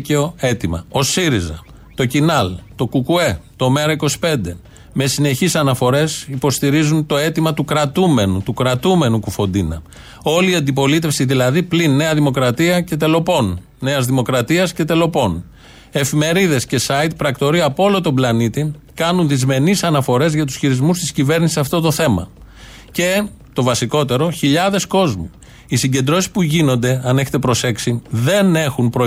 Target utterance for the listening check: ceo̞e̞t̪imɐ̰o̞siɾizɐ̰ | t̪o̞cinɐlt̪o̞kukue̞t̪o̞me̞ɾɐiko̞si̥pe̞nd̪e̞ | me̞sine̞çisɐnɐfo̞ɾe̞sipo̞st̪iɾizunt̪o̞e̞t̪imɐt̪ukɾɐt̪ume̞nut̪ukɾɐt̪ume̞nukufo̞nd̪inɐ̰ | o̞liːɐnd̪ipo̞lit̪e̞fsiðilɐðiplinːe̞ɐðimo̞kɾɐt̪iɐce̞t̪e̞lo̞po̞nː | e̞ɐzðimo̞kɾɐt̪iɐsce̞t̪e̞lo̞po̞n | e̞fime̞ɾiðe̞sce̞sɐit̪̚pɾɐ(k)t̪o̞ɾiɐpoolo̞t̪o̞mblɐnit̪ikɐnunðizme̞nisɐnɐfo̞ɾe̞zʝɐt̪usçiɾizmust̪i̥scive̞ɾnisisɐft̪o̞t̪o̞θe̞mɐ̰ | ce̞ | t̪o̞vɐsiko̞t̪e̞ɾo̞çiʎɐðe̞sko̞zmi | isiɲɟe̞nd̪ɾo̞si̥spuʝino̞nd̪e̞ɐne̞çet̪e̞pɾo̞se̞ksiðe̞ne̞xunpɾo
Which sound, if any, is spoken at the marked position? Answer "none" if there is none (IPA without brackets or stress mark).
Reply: k